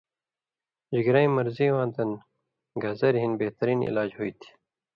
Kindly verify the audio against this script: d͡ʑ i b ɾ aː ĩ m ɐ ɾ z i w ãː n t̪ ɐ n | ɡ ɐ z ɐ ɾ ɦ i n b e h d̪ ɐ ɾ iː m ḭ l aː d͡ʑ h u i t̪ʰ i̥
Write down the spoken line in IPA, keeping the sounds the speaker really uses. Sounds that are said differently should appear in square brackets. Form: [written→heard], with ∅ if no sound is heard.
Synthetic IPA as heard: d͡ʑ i [b→ɡ] ɾ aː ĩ m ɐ ɾ z i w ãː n t̪ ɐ n | ɡ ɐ z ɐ ɾ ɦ i n b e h [d̪→t̪] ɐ ɾ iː [m→n] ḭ l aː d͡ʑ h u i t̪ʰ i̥

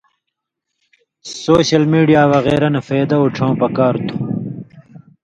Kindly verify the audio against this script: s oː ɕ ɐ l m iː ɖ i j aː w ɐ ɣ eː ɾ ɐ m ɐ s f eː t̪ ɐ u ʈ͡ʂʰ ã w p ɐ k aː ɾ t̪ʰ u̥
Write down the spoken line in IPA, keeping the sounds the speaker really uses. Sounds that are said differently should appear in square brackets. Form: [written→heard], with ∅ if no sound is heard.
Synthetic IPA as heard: s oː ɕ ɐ l m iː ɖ i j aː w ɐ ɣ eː ɾ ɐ [m→n] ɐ [s→∅] f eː [t̪→d̪] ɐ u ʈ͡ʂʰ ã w p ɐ k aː ɾ t̪ʰ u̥

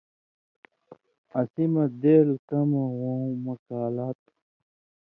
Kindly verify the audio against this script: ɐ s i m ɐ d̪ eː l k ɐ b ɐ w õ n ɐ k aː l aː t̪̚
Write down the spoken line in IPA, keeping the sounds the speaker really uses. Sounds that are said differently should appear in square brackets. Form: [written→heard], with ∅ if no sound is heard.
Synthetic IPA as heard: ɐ s i m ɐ d̪ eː l k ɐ [b→m] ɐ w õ [n→m] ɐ k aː l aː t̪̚

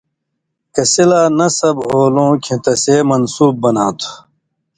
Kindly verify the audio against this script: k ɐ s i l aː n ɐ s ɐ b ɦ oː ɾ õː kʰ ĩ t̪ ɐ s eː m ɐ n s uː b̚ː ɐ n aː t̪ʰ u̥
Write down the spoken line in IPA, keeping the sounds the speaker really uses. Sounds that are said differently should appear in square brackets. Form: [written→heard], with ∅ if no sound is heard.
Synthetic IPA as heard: k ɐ s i l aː n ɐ s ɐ b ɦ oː [ɾ→l] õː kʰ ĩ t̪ ɐ s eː m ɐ n s uː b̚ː ɐ n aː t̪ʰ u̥

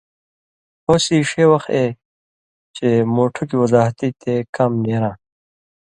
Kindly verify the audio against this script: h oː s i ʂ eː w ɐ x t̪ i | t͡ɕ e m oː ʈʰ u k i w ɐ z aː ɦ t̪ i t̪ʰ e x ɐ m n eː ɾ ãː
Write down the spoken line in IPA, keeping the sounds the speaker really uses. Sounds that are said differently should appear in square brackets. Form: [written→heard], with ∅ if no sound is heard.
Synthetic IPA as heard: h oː s i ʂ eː w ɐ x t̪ [i→e] | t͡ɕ e m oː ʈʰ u k i w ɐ z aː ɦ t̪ i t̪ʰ e [x→k] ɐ m n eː ɾ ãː

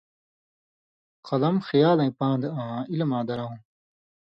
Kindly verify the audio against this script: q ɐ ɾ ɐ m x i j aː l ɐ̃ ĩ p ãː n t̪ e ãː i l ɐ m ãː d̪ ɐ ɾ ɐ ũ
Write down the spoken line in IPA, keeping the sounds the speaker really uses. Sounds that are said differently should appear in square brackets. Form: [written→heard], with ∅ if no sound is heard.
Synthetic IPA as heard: q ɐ [ɾ→l] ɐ m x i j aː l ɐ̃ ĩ p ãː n [t̪→d̪] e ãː i l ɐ m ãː d̪ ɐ ɾ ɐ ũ

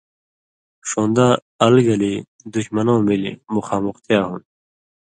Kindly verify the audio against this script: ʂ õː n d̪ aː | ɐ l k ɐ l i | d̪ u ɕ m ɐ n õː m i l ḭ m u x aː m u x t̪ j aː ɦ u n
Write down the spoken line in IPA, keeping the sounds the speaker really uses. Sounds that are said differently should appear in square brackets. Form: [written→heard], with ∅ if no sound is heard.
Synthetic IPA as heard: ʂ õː n d̪ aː | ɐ l [k→ɡ] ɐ l i | d̪ u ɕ m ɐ n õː m i l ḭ m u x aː m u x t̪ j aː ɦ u n

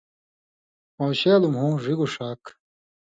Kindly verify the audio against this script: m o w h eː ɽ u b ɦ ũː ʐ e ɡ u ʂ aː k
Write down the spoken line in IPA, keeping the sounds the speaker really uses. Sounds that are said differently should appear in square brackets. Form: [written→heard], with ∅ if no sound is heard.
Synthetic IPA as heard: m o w [h→ɕ] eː [ɽ→l] u [b→m] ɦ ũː ʐ [e→i] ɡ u ʂ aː k

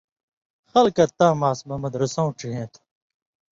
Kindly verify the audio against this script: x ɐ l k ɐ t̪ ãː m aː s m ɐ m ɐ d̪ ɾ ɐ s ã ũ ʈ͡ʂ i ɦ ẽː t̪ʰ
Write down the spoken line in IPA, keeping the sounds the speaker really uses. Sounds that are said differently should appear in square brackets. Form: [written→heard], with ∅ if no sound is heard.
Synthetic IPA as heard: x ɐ l k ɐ t̪ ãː m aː s m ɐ m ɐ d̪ ɾ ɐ s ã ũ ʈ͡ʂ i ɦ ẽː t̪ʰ

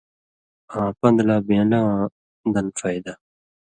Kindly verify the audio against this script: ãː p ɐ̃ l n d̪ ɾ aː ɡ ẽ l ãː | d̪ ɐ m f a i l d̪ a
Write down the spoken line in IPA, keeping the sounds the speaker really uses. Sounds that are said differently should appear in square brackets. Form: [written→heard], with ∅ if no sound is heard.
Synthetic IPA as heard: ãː p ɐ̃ [l→∅] n d̪ [ɾ→l] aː [ɡ→b] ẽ l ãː | d̪ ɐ [m→n] f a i [l→∅] d̪ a

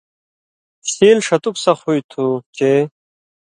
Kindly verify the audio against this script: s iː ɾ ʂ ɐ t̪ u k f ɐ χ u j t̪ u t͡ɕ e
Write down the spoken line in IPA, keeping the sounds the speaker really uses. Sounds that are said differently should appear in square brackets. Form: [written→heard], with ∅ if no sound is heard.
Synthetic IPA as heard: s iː [ɾ→l] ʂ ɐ t̪ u k [f→s] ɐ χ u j [t̪→t̪ʰ] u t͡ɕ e

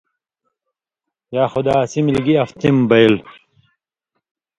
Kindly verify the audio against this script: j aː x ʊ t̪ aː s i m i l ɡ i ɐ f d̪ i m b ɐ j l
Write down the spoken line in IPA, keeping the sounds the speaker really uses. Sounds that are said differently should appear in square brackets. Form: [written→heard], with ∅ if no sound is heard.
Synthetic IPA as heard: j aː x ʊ [t̪→d̪] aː s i m i l ɡ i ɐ f [d̪→t̪] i m b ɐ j l

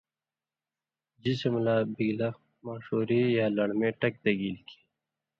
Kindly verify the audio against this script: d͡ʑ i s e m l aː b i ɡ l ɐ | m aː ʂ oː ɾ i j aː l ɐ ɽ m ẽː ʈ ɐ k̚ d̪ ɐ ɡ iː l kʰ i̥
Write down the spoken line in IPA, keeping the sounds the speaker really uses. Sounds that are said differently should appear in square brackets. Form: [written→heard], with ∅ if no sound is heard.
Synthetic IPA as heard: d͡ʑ i s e m l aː b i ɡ l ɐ | m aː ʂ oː ɾ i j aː l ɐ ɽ m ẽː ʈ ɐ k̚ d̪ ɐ ɡ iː l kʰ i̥

